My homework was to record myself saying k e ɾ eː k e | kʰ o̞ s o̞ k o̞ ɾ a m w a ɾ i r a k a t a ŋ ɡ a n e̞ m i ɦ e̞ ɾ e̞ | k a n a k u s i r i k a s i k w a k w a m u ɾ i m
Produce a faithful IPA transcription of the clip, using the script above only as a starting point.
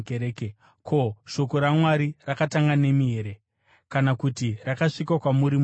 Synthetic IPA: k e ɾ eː k e | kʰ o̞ ʃ o̞ k o̞ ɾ a m w a ɾ i r a k a t a ŋ ɡ a n e̞ m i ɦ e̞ ɾ e̞ | k a n a k u t i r a k a ʂ i k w a k w a m u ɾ i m